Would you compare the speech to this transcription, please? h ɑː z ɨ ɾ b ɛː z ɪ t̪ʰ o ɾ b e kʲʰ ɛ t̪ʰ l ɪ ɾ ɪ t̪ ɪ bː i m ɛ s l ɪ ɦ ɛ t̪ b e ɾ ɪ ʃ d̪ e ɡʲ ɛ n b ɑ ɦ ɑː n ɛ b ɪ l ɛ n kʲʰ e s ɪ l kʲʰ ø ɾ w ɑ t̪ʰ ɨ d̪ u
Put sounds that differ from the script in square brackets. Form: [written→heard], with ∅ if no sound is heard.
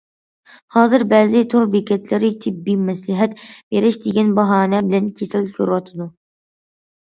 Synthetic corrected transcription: h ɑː z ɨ ɾ b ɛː z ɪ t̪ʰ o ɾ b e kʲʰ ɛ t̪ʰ l ɪ ɾ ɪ [t̪→t̪ʰ] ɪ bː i m ɛ s l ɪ ɦ ɛ t̪ b e ɾ ɪ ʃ d̪ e ɡʲ ɛ n b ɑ ɦ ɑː n ɛ b ɪ l ɛ n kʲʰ e s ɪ l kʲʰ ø ɾ w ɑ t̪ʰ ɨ d̪ u